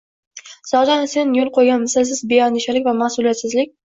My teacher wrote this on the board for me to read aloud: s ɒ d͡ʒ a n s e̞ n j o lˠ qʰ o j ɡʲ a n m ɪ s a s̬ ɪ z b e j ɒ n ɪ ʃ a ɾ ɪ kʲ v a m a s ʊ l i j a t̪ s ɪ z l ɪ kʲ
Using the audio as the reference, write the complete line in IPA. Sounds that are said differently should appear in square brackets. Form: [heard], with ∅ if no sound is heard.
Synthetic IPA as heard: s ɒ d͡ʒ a n s e̞ n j o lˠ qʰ o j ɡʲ a n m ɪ s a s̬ ɪ z b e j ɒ n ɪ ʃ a [l] ɪ kʲ v a m a s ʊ l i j a t̪ s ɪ z l ɪ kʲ